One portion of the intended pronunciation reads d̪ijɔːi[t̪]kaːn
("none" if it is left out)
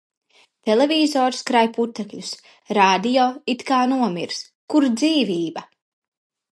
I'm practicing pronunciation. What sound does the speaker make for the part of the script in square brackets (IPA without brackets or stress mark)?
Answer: t̪